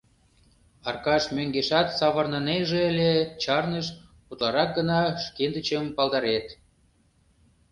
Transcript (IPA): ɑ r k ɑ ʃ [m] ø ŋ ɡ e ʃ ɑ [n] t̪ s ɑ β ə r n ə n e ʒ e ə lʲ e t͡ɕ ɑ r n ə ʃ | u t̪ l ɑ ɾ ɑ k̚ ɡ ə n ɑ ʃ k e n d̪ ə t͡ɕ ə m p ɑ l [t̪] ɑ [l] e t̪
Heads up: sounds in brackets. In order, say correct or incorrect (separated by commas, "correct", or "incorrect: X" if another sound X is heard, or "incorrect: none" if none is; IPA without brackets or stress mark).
correct, incorrect: none, incorrect: d̪, incorrect: ɾ